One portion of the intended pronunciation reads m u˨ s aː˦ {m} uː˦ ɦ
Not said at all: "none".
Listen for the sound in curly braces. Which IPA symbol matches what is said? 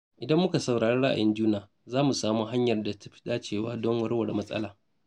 m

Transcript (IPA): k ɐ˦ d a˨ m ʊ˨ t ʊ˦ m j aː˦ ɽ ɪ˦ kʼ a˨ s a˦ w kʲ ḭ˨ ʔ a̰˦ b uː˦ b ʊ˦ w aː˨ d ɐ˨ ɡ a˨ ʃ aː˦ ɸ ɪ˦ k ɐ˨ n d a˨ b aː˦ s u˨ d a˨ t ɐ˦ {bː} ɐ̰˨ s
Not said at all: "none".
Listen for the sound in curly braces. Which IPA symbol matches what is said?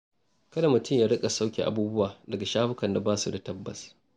bː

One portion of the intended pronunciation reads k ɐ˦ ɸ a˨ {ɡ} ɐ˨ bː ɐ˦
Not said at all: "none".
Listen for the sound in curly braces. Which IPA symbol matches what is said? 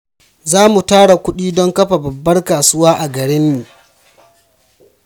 b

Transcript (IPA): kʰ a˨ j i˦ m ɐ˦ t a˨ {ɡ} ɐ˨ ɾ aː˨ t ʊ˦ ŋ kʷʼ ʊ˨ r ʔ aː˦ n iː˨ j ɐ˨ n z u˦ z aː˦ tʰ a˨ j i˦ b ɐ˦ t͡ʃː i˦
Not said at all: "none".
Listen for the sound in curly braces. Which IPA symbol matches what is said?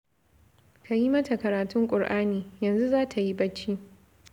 k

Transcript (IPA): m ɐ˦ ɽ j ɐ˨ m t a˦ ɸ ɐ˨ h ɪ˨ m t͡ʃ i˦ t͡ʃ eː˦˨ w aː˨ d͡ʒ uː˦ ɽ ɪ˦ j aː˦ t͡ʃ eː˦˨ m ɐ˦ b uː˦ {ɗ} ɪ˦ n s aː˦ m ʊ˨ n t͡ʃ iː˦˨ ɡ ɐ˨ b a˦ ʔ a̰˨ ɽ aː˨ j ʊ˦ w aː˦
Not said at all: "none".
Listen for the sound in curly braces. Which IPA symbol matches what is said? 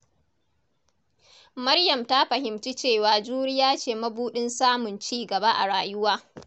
ɗ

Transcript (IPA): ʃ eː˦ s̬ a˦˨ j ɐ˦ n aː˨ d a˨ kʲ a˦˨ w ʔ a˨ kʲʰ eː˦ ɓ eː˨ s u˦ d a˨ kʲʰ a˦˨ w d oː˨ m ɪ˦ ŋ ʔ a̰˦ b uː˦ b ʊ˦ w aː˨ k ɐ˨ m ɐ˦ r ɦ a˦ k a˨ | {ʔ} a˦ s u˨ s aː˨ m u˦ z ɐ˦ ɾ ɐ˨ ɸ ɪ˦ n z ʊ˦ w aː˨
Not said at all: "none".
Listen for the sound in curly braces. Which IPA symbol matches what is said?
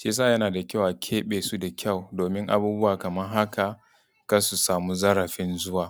k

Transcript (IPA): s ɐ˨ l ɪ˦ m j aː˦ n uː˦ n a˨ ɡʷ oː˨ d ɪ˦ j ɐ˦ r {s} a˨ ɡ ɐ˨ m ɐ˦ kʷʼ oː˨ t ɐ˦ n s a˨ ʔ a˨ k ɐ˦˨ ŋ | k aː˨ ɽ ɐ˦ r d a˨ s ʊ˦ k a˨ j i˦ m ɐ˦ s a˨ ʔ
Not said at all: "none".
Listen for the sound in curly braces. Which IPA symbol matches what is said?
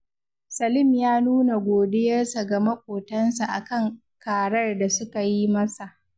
s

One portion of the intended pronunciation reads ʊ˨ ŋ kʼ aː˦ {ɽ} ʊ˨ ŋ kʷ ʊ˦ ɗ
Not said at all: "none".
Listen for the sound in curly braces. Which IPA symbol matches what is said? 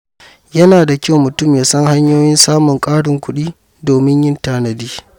ɽ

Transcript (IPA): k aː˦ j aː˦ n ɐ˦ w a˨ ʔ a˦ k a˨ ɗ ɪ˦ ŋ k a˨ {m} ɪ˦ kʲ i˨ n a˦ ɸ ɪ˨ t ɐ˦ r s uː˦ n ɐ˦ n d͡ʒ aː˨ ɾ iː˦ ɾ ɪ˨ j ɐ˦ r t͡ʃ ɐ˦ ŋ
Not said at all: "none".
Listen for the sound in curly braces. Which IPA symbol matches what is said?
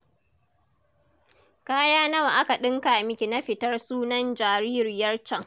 m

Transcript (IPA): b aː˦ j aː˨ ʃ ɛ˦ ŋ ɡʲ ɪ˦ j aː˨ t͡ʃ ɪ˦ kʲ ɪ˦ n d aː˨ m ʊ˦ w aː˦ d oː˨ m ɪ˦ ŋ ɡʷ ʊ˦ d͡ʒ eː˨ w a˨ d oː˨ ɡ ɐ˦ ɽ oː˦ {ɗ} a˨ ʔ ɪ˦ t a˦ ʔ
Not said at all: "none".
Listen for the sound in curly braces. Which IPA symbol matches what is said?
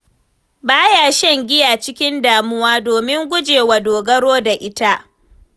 d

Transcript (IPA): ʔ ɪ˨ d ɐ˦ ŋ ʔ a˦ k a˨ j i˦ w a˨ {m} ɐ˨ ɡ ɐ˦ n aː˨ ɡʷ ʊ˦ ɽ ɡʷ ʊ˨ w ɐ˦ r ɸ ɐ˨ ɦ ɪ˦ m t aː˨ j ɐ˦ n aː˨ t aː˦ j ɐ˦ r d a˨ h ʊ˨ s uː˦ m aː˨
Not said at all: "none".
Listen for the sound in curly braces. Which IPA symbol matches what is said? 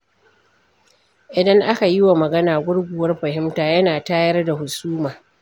m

